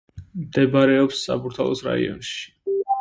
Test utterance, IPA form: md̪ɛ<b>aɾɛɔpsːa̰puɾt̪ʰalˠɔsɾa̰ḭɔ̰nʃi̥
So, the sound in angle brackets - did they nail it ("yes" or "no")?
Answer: yes